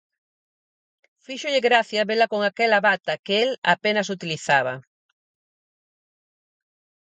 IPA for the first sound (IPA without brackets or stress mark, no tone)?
f